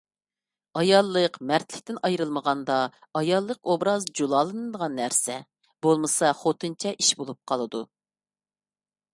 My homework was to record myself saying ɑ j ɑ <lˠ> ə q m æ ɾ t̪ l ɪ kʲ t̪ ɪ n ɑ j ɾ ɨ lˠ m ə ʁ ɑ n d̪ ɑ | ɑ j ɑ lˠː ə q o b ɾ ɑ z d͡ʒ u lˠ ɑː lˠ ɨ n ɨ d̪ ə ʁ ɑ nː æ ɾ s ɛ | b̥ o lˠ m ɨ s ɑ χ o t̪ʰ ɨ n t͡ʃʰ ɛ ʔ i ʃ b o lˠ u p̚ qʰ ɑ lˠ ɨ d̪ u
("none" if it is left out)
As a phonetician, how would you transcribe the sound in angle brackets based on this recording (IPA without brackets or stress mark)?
lˠː